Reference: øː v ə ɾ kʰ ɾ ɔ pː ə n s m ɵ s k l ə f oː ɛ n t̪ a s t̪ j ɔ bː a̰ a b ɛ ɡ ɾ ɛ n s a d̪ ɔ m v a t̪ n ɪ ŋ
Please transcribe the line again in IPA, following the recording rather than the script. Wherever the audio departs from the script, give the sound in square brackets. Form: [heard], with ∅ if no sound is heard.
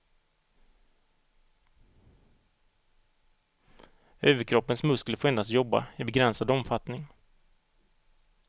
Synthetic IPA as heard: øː v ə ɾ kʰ ɾ ɔ pː ə n s m ɵ s k l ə f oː ɛ n [d̪] a s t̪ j ɔ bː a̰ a b ɛ ɡ ɾ ɛ n s a d̪ ɔ m [f] a t̪ n ɪ ŋ